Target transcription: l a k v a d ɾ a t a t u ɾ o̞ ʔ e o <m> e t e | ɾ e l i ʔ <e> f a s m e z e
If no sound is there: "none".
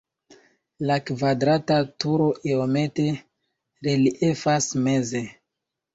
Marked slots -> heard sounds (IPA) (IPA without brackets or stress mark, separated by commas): m, e